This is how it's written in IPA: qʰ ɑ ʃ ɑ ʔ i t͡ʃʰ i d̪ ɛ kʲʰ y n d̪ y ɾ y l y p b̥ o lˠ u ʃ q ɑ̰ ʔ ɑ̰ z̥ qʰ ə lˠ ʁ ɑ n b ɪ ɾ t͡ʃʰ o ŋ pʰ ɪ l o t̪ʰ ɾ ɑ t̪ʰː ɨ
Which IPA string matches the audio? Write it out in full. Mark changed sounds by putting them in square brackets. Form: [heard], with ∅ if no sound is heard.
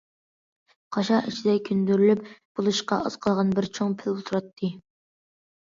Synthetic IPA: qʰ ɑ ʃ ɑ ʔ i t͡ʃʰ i d̪ ɛ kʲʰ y n d̪ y ɾ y l y p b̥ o lˠ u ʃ q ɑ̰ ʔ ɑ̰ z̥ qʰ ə lˠ ʁ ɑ n b ɪ ɾ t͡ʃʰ o ŋ pʰ ɪ l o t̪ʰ ɾ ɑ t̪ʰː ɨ